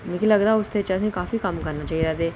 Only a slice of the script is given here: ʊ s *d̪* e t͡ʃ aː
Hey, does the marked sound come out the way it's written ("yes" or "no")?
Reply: no